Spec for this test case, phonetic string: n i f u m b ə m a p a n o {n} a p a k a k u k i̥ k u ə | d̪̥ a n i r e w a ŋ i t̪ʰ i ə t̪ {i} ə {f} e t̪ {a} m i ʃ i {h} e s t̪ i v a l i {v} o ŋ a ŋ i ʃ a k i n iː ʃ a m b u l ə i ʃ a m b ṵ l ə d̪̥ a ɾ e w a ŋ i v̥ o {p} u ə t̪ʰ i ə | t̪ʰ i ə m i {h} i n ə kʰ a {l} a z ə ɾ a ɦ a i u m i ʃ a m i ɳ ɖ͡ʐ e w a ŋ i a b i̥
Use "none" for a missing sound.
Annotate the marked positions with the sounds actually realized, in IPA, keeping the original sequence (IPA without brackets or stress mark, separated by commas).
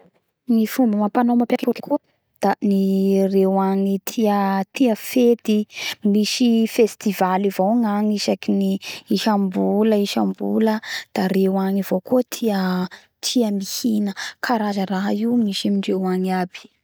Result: m, i, f, i, f, v, k, h, ɾ